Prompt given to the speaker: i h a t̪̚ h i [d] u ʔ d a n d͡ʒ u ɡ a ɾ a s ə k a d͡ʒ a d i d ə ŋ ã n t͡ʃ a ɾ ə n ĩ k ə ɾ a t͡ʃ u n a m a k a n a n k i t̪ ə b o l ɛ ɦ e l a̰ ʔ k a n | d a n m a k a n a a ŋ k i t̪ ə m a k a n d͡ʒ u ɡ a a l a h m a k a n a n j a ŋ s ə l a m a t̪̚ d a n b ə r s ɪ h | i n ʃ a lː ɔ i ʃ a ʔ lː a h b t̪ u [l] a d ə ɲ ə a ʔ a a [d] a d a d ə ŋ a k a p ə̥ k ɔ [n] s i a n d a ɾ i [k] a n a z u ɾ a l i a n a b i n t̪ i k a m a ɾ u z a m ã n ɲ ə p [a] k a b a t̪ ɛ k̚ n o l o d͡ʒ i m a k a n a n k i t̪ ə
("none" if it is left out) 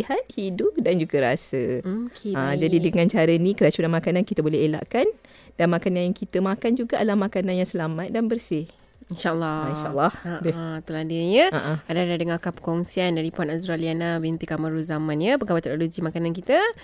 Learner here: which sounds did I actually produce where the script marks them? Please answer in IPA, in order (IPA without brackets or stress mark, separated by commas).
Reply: d, l, d, ŋ, p, ə